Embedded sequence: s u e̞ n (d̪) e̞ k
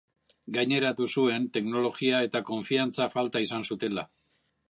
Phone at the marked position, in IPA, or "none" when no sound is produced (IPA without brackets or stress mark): t̪